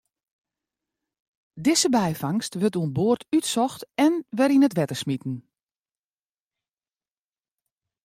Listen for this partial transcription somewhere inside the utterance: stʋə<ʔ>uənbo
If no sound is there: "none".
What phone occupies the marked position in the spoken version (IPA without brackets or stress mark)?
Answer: t